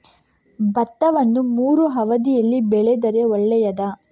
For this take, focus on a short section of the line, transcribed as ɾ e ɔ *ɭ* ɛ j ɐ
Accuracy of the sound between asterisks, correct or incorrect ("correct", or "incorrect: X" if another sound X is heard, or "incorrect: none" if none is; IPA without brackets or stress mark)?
incorrect: ɭː